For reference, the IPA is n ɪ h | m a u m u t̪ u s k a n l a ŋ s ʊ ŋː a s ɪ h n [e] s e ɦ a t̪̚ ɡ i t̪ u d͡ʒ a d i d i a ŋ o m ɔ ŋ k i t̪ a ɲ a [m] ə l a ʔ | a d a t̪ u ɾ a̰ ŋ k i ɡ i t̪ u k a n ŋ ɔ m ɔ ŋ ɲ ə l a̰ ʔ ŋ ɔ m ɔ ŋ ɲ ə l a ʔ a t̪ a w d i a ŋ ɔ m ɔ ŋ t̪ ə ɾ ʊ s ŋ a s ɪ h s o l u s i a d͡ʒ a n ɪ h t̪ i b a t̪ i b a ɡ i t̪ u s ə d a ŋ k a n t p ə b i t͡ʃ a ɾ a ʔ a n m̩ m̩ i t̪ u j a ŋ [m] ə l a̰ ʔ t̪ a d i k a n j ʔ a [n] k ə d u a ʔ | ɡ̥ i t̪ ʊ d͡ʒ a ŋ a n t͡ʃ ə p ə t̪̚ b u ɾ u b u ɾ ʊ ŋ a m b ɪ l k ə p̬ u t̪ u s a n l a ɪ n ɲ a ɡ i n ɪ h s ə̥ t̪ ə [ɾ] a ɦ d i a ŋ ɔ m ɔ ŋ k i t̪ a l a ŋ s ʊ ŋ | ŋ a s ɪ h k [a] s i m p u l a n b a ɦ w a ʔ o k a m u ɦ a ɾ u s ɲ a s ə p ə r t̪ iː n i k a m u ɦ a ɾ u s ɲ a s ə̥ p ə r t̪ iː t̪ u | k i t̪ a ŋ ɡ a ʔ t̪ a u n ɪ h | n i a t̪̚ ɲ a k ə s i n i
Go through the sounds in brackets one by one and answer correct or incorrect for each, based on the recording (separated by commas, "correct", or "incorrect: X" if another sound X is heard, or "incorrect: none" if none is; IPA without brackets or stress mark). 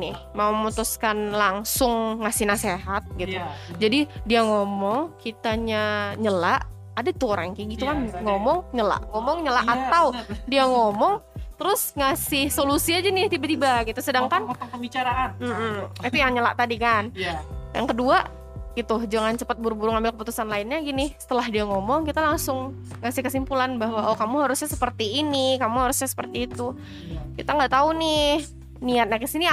incorrect: a, incorrect: ɲ, incorrect: ɲ, incorrect: ŋ, incorrect: l, incorrect: ə